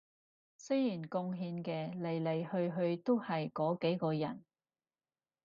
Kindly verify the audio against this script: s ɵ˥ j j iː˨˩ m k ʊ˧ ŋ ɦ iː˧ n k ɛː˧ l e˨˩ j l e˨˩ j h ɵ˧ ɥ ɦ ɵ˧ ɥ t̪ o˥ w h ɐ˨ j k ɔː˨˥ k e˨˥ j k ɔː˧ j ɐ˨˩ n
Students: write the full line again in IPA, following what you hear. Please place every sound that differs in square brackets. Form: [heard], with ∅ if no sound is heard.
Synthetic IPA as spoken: s ɵ˥ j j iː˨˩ [n] k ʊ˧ ŋ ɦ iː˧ n k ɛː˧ l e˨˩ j l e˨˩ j h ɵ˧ ɥ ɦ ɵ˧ ɥ t̪ o˥ w h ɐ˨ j k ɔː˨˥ k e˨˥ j k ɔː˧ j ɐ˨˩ n